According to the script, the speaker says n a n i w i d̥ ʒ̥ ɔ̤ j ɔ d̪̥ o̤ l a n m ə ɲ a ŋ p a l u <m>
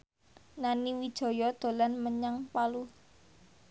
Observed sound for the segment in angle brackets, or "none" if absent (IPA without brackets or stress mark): none